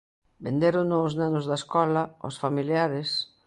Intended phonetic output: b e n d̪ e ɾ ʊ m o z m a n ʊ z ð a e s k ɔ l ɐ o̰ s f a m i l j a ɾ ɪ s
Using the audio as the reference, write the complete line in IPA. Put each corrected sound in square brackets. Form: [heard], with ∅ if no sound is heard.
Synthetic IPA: b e n d̪ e ɾ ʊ [n] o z [n] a n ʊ z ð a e s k ɔ l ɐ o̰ s f a m i l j a ɾ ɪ s

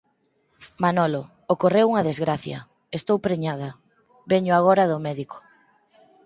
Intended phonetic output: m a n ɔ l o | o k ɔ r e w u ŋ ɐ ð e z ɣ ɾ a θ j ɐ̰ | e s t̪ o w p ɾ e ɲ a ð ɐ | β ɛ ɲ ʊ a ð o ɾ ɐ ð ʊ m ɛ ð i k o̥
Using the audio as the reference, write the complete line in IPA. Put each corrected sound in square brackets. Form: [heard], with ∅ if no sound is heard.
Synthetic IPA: m a n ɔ l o | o k [o] r e w u ŋ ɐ ð e z ɣ ɾ a θ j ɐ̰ | e s t̪ o w p ɾ e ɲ a ð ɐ | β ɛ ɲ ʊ a [ɣ] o ɾ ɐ ð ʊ m ɛ ð i k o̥

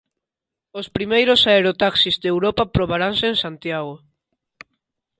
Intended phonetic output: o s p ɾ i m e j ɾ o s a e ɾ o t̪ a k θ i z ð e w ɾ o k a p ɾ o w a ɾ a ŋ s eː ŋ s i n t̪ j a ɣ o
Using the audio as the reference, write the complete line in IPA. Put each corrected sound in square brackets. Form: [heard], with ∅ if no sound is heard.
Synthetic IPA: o s p ɾ i m e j ɾ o s a e ɾ o t̪ a k [s] i z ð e w ɾ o [p] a p ɾ o [β] a ɾ a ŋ s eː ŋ s [a] n t̪ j a ɣ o

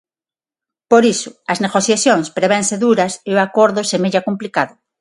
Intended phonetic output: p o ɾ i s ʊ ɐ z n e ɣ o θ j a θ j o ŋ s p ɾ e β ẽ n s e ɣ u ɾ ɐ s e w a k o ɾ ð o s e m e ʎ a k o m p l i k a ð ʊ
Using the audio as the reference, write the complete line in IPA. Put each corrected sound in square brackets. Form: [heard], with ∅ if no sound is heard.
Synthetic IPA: p o ɾ i s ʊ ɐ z n e ɣ o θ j a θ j o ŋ s p ɾ e β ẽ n s e [ð] u ɾ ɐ s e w a k o ɾ ð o s e m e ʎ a k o m p l i k a ð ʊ

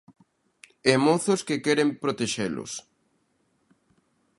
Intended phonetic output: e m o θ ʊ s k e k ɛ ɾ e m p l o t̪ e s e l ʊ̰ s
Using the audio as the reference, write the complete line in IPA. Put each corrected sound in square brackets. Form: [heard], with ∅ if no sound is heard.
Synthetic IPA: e m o θ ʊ s k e k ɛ ɾ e m p [ɾ] o t̪ e [ʃ] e l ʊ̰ s

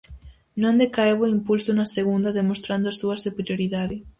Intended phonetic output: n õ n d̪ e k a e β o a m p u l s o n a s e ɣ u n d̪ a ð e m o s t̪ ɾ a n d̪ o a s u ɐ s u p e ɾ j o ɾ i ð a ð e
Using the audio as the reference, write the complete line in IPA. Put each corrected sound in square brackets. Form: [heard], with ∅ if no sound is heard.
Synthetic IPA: n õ n d̪ e k a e β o [i] m p u l s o n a s e ɣ u n d̪ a ð e m o s t̪ ɾ a n d̪ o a s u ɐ s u p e ɾ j o ɾ i ð a ð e

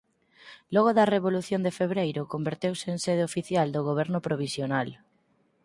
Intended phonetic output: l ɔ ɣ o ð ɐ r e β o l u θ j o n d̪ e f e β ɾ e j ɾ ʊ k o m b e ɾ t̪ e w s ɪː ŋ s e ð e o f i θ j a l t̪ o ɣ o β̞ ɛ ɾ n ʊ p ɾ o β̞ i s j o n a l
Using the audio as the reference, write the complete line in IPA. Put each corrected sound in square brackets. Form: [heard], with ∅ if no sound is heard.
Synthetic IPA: l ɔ ɣ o ð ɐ r e β o l u θ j o n d̪ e f e β ɾ e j ɾ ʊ k o m b e ɾ t̪ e w s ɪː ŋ s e ð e o f i θ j a l [d̪] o ɣ o β̞ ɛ ɾ n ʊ p ɾ o β̞ i s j o n a l

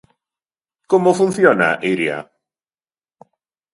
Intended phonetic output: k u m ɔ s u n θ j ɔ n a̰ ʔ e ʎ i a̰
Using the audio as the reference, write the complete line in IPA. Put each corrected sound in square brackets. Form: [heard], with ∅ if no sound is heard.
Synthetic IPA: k [ɔ] m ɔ [f] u n θ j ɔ n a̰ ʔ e [ɾ] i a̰

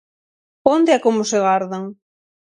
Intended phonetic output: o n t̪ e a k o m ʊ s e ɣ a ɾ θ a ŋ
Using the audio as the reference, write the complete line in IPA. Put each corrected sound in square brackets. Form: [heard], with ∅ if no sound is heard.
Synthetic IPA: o n [d̪] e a k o m ʊ s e ɣ a ɾ [ð] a ŋ

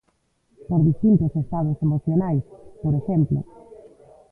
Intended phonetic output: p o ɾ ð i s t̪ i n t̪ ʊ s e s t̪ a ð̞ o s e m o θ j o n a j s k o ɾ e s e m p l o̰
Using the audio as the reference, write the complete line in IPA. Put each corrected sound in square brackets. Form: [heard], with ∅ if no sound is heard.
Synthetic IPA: p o ɾ ð i s t̪ i n t̪ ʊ s e s t̪ a ð̞ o s e m o θ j o n a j s [p] o ɾ e [ʃ] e m p l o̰

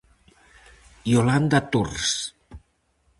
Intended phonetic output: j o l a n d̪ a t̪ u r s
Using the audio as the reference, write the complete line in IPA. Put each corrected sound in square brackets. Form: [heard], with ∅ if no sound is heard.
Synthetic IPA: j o l a n d̪ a t̪ u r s

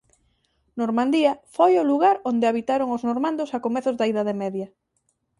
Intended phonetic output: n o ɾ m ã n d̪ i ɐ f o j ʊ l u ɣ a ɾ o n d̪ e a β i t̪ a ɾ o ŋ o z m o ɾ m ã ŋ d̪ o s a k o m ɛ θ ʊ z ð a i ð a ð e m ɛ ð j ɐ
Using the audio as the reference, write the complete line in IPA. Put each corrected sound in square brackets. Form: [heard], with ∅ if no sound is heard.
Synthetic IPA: n o ɾ m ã n d̪ i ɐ f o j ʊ l u ɣ a ɾ o n d̪ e a β i t̪ a ɾ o ŋ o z [n] o ɾ m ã [n] d̪ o s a k o m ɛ θ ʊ z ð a i ð a ð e m ɛ ð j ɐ

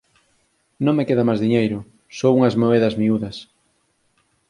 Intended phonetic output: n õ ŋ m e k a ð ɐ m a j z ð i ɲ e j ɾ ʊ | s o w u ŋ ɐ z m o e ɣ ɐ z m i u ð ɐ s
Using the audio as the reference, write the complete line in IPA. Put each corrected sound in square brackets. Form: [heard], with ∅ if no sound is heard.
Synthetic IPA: n õ ŋ m e k [e] ð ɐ m a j z ð i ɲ e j ɾ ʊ | s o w u ŋ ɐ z m o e [ð] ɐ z m i u ð ɐ s

